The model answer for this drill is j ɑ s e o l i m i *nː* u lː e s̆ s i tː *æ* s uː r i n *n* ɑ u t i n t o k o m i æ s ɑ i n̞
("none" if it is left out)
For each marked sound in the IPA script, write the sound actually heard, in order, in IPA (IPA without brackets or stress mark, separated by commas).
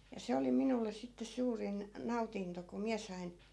n, e, n